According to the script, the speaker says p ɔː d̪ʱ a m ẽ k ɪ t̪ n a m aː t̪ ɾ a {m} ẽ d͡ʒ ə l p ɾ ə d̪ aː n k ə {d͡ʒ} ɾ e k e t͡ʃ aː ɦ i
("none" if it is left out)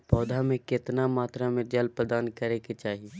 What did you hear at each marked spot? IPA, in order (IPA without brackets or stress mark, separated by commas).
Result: m, none